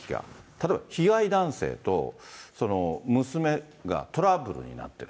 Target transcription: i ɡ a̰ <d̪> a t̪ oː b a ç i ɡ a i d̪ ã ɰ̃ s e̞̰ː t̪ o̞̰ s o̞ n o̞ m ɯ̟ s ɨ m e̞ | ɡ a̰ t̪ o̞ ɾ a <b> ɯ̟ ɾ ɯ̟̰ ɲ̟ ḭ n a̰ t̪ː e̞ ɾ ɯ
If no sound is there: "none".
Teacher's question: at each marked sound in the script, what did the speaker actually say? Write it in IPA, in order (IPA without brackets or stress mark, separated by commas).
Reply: t̪, b